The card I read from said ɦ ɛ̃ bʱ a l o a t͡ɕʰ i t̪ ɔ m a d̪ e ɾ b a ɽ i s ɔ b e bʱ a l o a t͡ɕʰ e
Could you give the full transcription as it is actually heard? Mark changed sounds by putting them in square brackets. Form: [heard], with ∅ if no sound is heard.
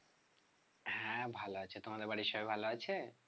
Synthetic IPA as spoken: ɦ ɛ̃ bʱ a l o a t͡ɕʰ [e] t̪ [o] m a d̪ e ɾ b a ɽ i [ʃ] ɔ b e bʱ a l o a t͡ɕʰ e